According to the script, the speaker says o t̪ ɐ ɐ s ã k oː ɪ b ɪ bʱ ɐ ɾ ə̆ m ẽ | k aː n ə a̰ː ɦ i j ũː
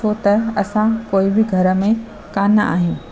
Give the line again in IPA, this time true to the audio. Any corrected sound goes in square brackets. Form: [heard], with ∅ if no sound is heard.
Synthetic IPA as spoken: o t̪ ɐ ɐ s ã k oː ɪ b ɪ [ɡʱ] ɐ ɾ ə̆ m ẽ | k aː n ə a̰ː ɦ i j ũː